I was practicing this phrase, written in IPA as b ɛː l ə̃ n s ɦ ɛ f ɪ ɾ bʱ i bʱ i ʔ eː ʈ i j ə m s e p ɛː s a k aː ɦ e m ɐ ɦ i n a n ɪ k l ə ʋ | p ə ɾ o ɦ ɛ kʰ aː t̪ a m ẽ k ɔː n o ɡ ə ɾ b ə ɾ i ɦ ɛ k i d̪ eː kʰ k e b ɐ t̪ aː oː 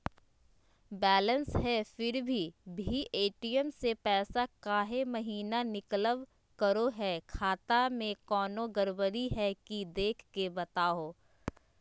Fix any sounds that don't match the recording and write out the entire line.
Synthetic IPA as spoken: b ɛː l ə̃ n s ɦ ɛ f ɪ ɾ bʱ i bʱ i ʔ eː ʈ i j ə m s e p ɛː s a k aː ɦ e m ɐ ɦ iː n a n ɪ k l ə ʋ | k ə ɾ o ɦ ɛ kʰ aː t̪ a m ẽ k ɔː n o ɡ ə ɾ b ə ɾ i ɦ ɛ k i d̪ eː kʰ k e b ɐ t̪ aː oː